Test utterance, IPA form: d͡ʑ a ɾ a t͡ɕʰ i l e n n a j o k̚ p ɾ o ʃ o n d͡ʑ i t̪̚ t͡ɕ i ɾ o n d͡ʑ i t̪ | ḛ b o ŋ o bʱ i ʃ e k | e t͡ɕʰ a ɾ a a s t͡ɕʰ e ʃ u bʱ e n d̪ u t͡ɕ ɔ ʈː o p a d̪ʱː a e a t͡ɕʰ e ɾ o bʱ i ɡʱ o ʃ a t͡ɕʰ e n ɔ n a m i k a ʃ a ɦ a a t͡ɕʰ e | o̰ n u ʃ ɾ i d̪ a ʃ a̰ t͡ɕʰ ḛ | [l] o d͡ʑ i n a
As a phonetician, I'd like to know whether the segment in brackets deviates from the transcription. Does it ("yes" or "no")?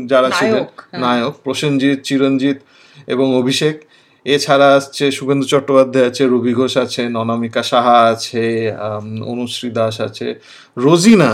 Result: yes